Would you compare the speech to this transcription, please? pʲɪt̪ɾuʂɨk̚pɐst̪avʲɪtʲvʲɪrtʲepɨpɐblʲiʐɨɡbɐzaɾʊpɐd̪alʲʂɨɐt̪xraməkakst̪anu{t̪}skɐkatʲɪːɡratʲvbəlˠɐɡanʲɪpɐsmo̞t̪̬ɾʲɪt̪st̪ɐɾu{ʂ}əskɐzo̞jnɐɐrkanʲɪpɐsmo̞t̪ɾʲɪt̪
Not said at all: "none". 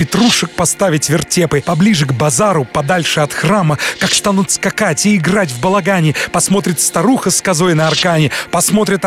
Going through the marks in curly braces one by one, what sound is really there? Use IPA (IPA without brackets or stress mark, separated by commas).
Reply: t̪, x